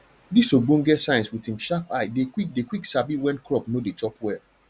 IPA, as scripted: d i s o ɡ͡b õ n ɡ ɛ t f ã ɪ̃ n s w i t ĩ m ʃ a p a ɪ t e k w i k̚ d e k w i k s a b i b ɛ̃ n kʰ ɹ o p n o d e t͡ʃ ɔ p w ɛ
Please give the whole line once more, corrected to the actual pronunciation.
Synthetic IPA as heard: d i s o ɡ͡b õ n ɡ ɛ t s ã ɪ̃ n s w i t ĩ m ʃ a p a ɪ d e k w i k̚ d e k w i k s a b i w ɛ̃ n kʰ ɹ ɔ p n o d e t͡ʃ ɔ p w ɛ